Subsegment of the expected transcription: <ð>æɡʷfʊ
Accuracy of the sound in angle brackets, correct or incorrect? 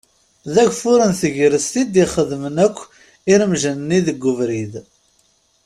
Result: correct